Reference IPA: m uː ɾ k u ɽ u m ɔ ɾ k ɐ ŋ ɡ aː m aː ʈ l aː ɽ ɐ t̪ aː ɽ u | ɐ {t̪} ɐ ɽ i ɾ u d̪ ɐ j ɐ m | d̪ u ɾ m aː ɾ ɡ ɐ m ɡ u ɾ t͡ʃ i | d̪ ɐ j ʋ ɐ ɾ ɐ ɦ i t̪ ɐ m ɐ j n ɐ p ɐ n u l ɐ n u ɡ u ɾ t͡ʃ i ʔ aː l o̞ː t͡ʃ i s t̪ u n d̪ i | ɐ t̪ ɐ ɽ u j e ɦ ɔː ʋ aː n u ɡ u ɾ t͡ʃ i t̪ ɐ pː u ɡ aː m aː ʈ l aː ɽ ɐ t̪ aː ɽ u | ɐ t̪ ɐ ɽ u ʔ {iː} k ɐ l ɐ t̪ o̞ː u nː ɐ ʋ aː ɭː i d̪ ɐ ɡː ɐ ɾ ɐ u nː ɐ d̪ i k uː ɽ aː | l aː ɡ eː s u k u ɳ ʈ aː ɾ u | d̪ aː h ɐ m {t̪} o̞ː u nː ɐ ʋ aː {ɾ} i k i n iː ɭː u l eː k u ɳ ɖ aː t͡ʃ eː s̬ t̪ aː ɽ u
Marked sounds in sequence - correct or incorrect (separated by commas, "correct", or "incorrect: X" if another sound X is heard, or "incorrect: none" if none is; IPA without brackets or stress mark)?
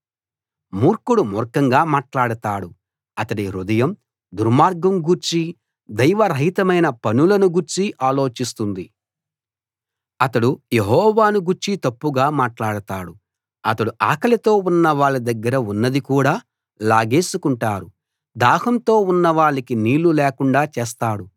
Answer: correct, incorrect: aː, correct, incorrect: ɭ